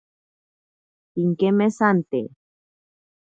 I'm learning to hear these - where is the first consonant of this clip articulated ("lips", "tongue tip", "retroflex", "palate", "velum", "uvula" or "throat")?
velum